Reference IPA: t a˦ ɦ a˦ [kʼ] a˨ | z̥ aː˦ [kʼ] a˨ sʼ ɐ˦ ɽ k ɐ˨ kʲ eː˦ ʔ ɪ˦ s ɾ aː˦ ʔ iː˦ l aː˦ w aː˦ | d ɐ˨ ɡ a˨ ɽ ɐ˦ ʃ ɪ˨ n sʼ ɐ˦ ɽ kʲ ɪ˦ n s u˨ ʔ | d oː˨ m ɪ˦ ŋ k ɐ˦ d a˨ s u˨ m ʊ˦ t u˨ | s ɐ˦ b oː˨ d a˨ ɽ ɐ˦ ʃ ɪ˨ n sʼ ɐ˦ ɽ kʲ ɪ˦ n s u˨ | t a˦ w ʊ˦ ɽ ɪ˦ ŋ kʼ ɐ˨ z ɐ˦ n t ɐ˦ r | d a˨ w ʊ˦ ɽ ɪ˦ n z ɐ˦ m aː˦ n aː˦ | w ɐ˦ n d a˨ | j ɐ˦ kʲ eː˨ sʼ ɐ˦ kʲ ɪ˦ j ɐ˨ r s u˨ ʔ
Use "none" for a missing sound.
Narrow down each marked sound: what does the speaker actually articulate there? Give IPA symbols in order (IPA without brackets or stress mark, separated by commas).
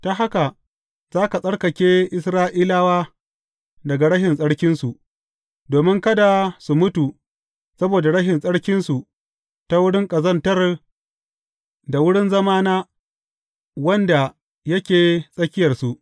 k, k